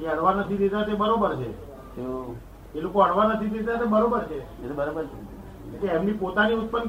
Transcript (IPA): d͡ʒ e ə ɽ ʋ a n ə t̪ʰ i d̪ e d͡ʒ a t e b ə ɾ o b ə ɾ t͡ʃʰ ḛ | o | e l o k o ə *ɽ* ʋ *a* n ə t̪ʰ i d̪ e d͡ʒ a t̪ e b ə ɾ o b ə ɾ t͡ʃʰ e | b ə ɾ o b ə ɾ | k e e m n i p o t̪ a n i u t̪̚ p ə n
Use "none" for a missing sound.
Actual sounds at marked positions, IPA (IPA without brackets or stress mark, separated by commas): ɽ, a